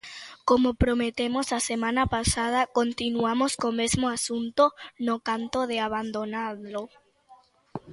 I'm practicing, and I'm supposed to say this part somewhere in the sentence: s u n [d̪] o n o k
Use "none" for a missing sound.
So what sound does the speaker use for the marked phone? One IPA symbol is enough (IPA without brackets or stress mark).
t̪